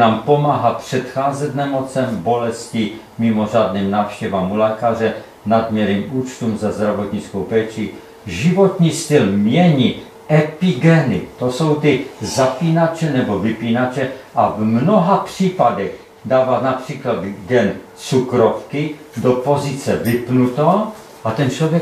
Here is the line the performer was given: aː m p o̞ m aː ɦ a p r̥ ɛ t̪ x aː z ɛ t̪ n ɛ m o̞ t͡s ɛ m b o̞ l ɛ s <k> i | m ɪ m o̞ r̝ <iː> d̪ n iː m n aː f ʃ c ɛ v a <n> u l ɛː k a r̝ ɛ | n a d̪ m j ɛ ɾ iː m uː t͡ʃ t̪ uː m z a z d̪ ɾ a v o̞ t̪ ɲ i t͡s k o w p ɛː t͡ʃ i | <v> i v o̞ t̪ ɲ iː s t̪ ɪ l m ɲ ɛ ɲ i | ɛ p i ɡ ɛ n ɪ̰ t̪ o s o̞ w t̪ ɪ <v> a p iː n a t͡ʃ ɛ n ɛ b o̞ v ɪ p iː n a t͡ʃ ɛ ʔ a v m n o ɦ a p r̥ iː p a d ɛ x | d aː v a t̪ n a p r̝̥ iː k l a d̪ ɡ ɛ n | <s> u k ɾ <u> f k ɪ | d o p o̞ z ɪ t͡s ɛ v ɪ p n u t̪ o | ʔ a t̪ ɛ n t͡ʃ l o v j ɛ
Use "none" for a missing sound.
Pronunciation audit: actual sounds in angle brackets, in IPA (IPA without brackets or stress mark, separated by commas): c, aː, m, ʒ, z, t͡s, o